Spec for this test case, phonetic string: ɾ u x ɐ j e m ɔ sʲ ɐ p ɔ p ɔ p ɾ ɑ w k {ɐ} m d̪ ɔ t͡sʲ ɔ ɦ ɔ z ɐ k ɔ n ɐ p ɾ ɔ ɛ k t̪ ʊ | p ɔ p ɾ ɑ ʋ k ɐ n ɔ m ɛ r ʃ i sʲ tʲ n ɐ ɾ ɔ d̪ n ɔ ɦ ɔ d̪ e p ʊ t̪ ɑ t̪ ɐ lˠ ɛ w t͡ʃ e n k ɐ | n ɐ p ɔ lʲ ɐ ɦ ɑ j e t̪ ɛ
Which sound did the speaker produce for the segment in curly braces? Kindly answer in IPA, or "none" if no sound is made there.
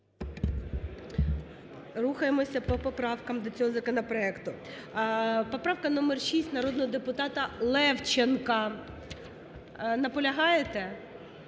ɐ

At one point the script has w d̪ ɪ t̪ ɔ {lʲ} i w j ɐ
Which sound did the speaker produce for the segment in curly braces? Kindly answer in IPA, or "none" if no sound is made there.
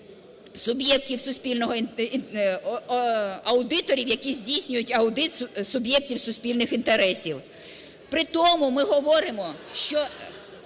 ɾʲ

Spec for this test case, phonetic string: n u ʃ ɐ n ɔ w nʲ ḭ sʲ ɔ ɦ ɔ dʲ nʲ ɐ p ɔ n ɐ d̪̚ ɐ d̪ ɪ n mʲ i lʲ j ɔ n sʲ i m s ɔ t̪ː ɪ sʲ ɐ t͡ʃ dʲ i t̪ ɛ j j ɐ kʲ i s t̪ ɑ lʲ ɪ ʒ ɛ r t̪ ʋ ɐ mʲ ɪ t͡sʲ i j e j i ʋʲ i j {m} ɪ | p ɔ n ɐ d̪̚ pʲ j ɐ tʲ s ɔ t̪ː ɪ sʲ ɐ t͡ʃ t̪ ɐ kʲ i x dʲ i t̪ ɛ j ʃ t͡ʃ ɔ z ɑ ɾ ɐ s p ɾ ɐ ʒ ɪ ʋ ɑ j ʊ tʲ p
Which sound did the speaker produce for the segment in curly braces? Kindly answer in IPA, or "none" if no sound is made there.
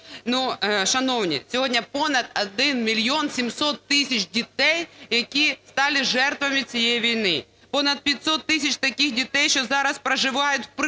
n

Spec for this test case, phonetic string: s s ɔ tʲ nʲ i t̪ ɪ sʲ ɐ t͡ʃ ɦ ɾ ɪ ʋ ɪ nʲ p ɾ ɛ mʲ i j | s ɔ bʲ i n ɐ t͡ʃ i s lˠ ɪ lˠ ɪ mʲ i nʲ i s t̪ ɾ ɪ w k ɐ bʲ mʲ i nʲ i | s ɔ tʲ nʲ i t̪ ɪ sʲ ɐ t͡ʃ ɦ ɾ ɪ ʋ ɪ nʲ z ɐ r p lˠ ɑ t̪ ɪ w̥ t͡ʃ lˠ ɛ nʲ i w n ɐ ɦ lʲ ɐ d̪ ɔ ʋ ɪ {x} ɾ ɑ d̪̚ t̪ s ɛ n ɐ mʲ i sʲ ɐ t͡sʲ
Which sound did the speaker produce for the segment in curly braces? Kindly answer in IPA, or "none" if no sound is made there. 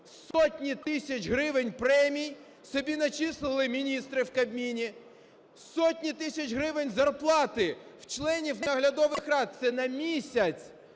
x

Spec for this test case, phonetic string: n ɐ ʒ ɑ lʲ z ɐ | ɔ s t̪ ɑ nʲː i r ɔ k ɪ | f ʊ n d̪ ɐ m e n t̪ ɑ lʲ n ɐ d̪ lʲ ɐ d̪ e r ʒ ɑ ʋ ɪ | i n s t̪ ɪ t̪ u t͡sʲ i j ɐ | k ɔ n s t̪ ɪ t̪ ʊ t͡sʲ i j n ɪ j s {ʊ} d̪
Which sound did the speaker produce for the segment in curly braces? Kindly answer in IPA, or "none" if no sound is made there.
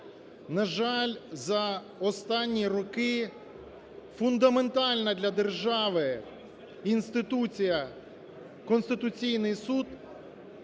u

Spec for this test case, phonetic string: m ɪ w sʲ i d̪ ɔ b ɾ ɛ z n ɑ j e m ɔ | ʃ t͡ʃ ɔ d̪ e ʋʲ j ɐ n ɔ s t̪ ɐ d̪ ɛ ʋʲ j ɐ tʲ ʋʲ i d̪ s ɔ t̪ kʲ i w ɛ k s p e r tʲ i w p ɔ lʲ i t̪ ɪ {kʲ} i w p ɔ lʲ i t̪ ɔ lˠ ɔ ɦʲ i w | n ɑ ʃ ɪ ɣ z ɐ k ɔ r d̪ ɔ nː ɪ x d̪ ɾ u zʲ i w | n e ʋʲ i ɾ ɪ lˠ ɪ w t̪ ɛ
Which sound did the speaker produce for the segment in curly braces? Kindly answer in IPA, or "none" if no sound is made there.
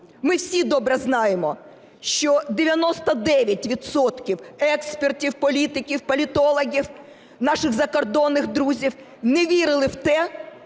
kʲ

